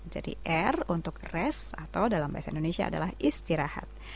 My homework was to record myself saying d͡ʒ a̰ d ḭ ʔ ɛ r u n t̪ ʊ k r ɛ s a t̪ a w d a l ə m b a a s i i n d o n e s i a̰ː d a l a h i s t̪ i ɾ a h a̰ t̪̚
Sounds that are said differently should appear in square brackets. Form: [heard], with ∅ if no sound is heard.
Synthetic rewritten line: d͡ʒ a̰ d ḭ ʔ ɛ r u n t̪ ʊ k r ɛ s a t̪ a w d a l [a] m b a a s [a] i n d o n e s i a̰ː d a l a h i s t̪ i ɾ a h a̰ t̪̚